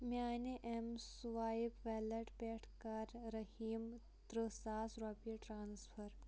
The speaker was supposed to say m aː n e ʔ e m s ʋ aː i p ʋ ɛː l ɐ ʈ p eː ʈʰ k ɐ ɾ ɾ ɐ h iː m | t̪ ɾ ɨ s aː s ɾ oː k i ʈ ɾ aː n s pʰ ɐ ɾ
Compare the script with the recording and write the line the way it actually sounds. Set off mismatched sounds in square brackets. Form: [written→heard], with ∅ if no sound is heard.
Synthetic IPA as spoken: m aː n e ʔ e m s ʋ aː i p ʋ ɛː l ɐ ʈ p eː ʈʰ k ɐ ɾ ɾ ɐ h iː m | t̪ ɾ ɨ s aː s ɾ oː [k→p] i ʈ ɾ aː n s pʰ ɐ ɾ

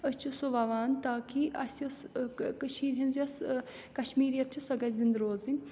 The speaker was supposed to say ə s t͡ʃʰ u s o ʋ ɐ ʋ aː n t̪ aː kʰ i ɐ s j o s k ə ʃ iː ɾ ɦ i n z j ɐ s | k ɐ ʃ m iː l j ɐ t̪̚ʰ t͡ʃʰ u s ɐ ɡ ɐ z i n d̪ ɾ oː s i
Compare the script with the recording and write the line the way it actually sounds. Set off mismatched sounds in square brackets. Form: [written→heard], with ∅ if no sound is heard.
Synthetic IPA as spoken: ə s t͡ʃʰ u s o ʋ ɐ ʋ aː n t̪ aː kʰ i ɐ s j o s k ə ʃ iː ɾ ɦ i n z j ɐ s | k ɐ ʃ m iː [l→ɾ] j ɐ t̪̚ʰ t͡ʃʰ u s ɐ ɡ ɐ z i n d̪ ɾ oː [s→z] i

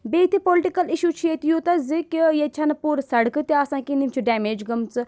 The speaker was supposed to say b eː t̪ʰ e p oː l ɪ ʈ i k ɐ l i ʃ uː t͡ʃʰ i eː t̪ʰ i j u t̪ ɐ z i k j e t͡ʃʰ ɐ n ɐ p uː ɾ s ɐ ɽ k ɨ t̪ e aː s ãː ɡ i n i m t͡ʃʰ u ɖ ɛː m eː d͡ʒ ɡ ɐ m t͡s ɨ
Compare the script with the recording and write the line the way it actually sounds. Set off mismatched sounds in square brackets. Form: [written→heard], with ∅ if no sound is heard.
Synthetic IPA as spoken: b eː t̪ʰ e p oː l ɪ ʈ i k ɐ l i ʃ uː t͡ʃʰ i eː [t̪ʰ→t̪] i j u t̪ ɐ z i k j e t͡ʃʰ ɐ n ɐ p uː ɾ s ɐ ɽ k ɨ t̪ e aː s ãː [ɡ→k] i n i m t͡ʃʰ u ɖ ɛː m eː d͡ʒ ɡ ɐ m t͡s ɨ

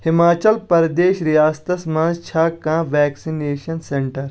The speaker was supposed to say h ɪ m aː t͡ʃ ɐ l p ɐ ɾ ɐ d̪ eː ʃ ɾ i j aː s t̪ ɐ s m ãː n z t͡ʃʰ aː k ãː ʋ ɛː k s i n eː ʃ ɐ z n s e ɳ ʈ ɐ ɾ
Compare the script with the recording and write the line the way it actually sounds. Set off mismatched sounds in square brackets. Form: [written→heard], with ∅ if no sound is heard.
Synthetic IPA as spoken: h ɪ m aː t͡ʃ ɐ l p ɐ ɾ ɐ d̪ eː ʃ ɾ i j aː s t̪ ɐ s m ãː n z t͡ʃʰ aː k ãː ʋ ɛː k s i n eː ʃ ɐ [z→∅] n s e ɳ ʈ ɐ ɾ

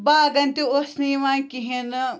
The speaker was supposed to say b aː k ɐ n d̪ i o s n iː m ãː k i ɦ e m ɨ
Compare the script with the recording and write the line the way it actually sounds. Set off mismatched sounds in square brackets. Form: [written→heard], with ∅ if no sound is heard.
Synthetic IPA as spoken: b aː [k→ɡ] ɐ n [d̪→t̪] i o s n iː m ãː k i ɦ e [m→n] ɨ

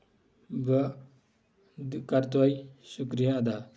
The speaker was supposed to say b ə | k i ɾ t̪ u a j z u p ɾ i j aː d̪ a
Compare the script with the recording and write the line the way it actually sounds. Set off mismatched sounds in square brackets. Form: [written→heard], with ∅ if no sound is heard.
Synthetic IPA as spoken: b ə | k [i→a] ɾ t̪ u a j [z→s] u [p→k] ɾ i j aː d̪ a

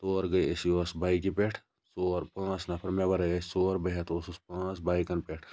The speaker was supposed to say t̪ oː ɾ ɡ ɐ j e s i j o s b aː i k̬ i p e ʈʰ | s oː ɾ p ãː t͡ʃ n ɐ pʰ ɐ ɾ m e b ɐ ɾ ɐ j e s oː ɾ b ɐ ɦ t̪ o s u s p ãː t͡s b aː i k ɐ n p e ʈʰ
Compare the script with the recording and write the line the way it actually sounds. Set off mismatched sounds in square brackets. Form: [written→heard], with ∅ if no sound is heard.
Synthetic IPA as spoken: t̪ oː ɾ ɡ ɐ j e s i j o s b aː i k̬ i p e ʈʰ | s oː ɾ p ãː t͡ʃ n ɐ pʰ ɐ ɾ m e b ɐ ɾ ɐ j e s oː ɾ b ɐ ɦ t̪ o s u s p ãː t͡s b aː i k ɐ n p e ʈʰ

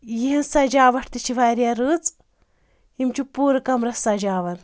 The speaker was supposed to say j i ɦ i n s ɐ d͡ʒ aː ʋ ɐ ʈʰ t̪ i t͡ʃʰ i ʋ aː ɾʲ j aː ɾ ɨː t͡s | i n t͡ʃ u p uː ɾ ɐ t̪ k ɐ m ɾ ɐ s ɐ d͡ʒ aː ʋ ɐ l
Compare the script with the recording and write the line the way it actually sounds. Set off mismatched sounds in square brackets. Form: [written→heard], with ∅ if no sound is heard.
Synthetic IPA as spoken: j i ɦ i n s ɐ d͡ʒ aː ʋ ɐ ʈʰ t̪ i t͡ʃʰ i ʋ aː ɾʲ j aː ɾ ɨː t͡s | i [n→m] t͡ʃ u p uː ɾ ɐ [t̪→∅] k ɐ m ɾ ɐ s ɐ d͡ʒ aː ʋ ɐ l

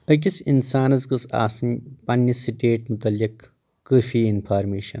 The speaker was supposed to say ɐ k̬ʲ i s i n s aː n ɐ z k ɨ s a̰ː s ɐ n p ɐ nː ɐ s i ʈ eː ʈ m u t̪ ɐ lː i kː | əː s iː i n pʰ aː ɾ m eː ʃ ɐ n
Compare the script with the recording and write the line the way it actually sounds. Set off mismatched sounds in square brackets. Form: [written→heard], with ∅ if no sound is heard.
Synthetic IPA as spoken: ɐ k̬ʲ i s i n s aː n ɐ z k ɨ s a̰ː s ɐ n p ɐ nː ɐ s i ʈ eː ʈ m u t̪ ɐ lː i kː | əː [s→f] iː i n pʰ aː ɾ m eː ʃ ɐ n

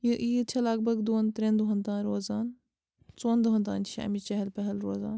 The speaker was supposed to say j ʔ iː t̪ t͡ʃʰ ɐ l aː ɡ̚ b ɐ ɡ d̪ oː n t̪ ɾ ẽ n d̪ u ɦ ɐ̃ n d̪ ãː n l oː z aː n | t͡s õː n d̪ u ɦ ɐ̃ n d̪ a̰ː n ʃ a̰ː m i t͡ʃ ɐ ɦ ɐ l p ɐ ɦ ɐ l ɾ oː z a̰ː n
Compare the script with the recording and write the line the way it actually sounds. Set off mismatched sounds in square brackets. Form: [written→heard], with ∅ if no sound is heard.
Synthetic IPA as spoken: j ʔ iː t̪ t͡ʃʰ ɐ l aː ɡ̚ b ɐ ɡ d̪ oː n t̪ ɾ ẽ n d̪ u ɦ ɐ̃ n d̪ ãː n [l→ɾ] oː z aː n | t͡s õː n d̪ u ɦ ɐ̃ n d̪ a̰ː n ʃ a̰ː m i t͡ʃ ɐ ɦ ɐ l p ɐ ɦ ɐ l ɾ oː z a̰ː n

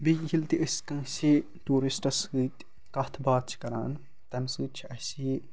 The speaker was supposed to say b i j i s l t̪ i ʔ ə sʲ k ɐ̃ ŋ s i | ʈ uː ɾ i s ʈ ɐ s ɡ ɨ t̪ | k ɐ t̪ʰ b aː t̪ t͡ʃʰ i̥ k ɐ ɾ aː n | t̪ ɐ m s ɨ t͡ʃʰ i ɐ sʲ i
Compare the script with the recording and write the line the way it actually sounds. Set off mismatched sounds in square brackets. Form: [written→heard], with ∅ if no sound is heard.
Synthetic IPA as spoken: b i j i [s→∅] l t̪ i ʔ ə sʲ k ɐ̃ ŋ s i | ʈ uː ɾ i s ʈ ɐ s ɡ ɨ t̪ | k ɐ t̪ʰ b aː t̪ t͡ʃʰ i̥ k ɐ ɾ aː n | t̪ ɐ m s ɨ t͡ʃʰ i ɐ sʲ i

